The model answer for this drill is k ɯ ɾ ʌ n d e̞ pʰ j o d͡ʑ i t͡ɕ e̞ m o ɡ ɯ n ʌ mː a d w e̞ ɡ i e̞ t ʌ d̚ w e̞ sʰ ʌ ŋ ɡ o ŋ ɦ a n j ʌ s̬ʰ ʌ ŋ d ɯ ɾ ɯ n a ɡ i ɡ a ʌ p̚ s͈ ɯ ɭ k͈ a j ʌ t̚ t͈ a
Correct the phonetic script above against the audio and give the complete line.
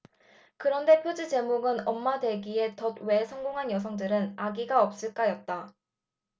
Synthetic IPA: k ɯ ɾ ʌ n d e̞ pʰ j o d͡ʑ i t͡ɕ e̞ m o ɡ ɯ n ʌ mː a d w e̞ ɡ i e̞ t ʌ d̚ w e̞ sʰ ʌ ŋ ɡ o ŋ ɦ a n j ʌ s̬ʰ ʌ ŋ d ɯ ɾ ɯ n a ɡ i ɡ a ʌ p̚ s͈ ɯ ɭ k͈ a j ʌ t̚ t͈ a